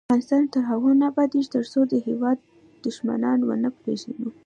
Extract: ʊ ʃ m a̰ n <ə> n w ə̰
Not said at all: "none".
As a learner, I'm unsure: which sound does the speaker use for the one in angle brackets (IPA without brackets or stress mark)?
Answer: ɑ